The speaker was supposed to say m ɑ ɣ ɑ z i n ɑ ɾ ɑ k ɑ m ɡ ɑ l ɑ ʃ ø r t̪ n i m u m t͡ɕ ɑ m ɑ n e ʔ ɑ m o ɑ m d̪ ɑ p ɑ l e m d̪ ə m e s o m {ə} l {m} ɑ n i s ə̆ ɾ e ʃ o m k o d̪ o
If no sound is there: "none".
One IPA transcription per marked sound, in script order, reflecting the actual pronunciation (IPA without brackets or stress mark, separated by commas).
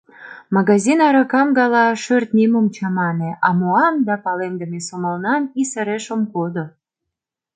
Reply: ə, n